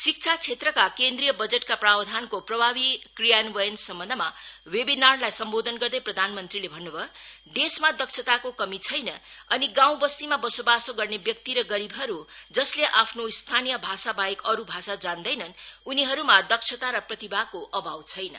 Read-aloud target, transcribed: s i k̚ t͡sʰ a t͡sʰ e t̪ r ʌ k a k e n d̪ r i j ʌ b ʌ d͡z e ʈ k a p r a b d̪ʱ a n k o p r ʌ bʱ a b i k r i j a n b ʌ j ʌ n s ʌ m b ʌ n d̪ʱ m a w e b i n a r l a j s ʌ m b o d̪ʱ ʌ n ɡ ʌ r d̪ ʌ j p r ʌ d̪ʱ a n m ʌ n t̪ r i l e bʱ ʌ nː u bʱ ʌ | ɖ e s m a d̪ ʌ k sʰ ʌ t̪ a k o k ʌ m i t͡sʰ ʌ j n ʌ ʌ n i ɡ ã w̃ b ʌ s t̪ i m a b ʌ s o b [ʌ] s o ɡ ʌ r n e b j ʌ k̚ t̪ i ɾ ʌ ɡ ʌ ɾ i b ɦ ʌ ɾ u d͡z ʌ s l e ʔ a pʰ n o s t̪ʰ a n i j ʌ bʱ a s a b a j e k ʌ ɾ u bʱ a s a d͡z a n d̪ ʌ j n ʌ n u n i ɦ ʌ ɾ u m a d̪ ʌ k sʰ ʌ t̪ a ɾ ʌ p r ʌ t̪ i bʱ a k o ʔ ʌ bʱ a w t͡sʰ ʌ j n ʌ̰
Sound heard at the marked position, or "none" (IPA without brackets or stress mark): a